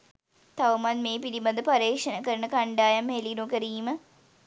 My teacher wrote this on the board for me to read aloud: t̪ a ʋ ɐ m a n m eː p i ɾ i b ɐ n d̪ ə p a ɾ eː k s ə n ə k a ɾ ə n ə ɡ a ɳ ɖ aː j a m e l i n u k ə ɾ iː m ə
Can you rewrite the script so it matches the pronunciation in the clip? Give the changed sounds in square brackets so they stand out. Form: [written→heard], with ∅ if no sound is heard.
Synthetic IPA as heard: t̪ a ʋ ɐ m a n m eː p i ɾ i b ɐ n d̪ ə p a ɾ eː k [s→ʂ] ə n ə k [a→ə] ɾ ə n ə [ɡ→k] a ɳ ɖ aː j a m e l i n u k ə ɾ iː m ə